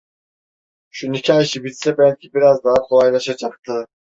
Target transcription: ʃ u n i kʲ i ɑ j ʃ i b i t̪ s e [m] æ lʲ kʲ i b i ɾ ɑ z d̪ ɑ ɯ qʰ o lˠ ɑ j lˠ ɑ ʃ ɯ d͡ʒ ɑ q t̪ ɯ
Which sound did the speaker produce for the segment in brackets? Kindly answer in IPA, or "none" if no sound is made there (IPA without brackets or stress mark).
b